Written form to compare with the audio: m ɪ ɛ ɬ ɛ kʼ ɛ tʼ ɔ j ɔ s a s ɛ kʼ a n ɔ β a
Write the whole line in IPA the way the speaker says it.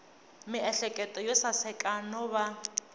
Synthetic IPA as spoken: m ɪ ɛ ɬ ɛ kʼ ɛ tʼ ɔ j ɔ s a s ɛ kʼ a n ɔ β a